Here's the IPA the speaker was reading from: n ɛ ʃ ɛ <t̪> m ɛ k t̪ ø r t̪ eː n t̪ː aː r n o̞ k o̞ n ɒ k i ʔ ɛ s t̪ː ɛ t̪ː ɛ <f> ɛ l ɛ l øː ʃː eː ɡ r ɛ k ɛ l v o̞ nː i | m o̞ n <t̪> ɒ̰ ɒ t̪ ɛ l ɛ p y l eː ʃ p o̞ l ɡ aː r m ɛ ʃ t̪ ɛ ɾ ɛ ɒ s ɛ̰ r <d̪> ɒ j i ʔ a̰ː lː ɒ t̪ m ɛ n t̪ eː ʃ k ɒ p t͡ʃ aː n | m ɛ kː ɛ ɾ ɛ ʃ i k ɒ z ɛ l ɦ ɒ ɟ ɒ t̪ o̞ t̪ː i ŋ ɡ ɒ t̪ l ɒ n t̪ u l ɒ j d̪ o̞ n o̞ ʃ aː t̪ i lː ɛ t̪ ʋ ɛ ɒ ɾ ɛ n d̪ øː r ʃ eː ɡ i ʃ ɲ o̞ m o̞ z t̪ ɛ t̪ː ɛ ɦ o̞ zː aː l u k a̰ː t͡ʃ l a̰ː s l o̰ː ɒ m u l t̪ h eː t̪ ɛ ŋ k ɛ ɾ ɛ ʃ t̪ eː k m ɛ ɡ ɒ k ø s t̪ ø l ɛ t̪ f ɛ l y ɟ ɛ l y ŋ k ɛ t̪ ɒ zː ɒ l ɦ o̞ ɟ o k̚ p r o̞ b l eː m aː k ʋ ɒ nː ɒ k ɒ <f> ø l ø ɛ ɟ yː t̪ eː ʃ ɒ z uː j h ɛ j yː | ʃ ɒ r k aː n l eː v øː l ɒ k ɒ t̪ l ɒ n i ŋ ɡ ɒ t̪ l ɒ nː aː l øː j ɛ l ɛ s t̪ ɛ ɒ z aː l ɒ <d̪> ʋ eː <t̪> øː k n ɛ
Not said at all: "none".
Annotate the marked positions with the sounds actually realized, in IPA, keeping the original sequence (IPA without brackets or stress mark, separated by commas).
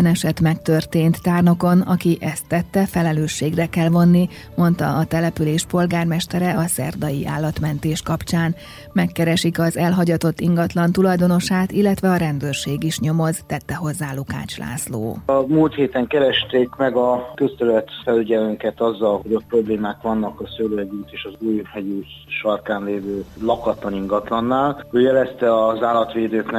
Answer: t̪, f, t̪, d̪, s, t̪, d̪